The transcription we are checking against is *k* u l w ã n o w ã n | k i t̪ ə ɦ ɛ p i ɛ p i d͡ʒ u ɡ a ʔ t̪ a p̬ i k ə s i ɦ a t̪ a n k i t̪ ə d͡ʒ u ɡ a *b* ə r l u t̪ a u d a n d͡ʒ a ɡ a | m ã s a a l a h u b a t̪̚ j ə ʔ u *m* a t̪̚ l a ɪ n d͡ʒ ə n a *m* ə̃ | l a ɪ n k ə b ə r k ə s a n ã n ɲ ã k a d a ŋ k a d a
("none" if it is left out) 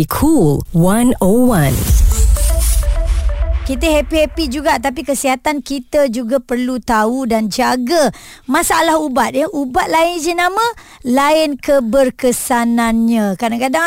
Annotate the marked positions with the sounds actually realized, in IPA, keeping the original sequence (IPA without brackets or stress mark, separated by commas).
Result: kʰ, p, b, m